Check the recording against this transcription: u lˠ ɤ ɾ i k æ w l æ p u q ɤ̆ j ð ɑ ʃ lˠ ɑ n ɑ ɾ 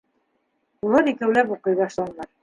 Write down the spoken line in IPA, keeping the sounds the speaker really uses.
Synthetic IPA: u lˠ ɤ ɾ i k æ w l æ p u q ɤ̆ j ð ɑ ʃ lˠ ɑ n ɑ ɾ